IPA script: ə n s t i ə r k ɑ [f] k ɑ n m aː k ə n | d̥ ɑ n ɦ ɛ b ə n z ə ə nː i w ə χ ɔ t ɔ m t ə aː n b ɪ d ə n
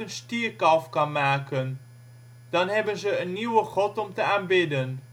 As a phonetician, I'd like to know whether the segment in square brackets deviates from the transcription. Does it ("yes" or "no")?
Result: no